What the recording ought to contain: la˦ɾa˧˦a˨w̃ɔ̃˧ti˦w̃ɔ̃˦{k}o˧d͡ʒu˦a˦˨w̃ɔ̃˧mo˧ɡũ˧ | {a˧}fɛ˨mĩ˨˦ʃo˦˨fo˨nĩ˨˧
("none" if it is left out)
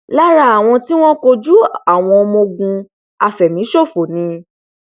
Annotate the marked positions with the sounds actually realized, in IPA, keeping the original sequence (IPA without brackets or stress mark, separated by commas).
k, a˧